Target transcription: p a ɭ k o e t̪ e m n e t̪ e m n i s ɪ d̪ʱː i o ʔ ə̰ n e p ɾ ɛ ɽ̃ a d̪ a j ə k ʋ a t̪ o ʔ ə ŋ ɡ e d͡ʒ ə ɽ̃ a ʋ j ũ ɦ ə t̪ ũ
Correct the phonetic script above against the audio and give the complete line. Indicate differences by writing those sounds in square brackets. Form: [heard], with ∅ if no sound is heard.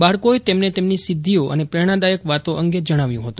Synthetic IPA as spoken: [b] a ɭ k o e t̪ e m n e t̪ e m n i s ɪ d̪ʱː i o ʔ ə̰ n e p ɾ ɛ ɽ̃ a d̪ a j ə k ʋ a t̪ o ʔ ə ŋ ɡ e d͡ʒ ə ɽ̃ a ʋ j ũ ɦ ə t̪ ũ